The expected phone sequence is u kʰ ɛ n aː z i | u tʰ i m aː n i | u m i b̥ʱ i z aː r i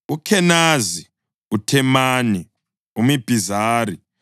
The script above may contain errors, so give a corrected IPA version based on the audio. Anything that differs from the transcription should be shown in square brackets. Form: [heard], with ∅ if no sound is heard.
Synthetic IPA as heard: u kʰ ɛ n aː z i | u tʰ [ɛ] m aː n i | u m i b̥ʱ i z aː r i